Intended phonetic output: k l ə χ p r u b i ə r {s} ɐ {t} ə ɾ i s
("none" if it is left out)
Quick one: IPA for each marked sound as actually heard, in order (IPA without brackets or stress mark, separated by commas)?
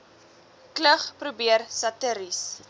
s, t